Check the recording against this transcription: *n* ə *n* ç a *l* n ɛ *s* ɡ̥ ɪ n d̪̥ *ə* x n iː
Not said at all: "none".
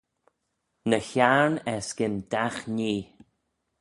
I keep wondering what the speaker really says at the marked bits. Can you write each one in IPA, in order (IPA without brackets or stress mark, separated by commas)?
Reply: n, none, ɹ, s, a